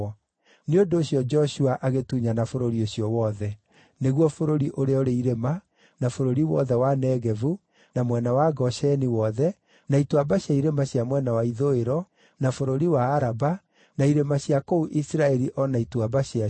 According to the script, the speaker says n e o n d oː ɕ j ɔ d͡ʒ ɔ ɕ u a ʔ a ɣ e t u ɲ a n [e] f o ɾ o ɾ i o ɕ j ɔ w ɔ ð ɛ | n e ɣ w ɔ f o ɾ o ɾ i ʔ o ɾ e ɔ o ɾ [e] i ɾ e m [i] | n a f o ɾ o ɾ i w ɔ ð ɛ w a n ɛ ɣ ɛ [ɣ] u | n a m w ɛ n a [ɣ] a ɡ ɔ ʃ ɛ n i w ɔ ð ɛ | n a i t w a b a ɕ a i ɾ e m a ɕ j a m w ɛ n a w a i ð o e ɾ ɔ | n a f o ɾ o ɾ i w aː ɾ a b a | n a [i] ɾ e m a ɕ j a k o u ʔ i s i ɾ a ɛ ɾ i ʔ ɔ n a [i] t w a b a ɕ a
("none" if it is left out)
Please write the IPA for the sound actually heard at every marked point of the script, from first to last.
a, e, a, v, w, i, i

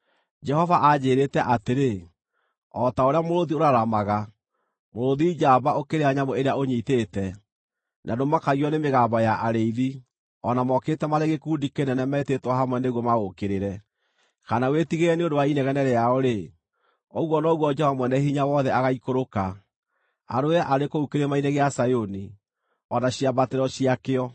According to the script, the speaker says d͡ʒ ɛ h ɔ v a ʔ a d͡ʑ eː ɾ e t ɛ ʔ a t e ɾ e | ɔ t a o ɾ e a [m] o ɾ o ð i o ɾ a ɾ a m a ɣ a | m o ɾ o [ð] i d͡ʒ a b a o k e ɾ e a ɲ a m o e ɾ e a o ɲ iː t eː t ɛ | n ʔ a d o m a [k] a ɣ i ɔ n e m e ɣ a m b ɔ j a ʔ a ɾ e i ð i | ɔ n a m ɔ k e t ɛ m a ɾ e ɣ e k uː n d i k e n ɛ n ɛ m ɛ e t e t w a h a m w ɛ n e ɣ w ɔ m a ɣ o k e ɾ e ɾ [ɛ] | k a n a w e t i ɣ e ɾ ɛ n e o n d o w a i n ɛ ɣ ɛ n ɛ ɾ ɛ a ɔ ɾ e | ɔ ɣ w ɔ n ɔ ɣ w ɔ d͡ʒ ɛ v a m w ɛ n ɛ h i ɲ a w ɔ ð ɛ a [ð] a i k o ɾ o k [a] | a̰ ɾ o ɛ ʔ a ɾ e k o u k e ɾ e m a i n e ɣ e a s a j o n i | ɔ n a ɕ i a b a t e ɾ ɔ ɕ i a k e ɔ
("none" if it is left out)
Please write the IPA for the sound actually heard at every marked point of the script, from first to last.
m, ð, k, ɛ, ɣ, a

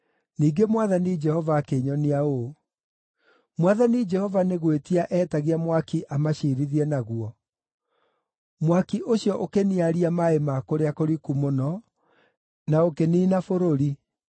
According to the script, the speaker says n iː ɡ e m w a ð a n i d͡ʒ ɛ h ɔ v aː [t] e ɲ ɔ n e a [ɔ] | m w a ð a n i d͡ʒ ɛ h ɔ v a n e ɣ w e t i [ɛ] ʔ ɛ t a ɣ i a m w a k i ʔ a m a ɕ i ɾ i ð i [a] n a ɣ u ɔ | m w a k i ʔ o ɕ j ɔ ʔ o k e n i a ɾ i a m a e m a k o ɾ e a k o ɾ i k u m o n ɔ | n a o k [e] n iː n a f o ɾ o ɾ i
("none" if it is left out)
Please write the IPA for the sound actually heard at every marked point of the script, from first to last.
k, o, a, ɛ, e

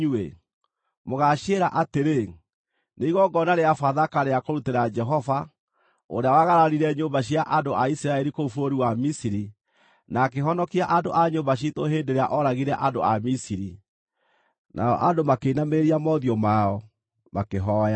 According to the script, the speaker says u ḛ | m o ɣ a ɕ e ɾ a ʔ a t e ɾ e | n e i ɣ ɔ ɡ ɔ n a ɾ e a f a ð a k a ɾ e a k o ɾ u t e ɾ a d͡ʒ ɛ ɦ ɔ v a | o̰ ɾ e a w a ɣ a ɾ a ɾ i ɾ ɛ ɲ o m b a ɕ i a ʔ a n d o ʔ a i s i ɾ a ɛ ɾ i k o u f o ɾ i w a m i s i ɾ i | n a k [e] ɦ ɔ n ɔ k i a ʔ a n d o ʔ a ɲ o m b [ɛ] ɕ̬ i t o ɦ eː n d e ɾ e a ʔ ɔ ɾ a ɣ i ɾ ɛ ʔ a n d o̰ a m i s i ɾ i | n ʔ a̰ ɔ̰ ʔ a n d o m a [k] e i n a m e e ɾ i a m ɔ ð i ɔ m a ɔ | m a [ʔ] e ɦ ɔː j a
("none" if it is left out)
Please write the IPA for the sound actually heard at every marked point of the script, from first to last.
e, a, k, k

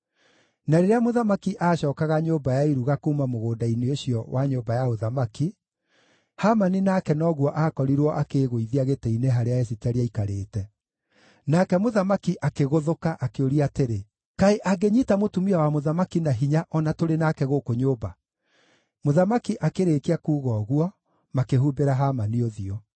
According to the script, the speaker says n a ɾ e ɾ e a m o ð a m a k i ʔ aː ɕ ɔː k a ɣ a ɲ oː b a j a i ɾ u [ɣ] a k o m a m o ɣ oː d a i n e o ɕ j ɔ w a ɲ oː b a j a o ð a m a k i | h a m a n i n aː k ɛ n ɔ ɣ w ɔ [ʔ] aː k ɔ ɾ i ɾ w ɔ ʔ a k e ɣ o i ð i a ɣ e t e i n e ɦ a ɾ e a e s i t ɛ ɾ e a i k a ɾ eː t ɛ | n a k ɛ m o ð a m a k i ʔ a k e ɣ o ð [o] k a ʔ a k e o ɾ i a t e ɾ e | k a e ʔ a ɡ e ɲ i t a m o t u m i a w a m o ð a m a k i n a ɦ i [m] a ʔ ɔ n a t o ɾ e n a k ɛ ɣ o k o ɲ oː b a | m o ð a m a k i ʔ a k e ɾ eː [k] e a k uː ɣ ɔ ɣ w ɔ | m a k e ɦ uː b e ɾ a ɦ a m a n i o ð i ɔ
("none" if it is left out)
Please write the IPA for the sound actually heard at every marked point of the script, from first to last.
ɣ, ʔ, o, ɲ, k

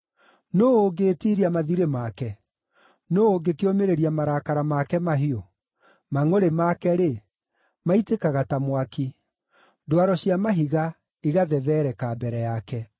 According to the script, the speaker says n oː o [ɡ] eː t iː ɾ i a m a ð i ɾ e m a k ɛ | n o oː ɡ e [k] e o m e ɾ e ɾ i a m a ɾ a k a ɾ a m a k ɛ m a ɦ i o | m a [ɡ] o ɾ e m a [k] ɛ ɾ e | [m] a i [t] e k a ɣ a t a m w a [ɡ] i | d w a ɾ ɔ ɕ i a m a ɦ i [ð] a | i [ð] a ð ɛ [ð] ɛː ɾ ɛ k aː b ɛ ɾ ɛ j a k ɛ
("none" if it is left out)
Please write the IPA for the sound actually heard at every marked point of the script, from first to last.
ɡ, k, ŋ, k, m, t, k, ɣ, ɣ, ð

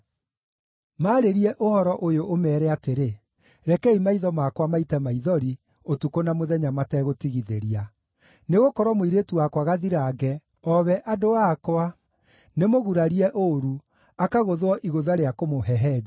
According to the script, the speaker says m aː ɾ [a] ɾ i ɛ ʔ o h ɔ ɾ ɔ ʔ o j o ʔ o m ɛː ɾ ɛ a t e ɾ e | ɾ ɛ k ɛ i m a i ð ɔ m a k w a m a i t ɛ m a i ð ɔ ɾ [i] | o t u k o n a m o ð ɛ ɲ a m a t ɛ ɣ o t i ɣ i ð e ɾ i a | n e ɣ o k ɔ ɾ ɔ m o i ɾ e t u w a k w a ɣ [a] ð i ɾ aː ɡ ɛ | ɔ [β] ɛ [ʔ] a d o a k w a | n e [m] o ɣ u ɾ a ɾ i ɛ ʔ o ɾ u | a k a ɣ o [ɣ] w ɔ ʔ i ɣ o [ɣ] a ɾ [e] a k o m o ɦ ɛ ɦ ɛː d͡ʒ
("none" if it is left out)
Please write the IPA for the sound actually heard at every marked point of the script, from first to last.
e, i, a, β, ʔ, m, ð, ð, e

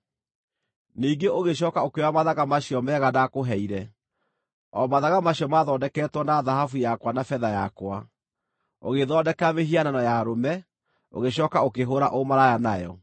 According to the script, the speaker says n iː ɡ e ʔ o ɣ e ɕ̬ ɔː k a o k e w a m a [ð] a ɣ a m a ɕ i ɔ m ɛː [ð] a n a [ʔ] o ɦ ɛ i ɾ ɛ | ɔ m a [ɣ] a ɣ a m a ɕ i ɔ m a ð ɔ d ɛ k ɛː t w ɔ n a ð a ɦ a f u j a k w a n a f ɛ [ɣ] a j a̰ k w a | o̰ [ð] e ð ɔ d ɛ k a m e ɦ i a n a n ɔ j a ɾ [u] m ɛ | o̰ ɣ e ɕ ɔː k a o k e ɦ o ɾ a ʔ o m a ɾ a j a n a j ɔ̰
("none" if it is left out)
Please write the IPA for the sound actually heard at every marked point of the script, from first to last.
ð, ɣ, k, ð, ð, ɣ, o

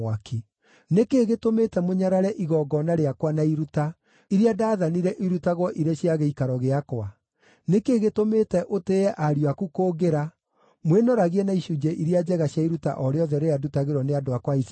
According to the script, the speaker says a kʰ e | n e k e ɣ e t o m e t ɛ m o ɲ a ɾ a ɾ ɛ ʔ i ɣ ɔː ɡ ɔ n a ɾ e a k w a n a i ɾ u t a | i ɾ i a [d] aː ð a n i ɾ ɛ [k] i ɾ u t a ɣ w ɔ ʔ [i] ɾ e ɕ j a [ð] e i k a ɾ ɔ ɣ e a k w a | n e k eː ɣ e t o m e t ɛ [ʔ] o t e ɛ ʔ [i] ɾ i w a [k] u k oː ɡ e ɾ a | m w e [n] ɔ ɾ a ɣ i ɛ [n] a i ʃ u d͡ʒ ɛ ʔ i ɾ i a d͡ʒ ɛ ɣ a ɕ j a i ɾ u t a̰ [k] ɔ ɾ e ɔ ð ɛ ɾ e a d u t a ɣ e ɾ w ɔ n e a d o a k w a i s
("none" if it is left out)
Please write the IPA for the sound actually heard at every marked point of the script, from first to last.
d, ʔ, i, ɣ, ʔ, a, k, n, n, ʔ

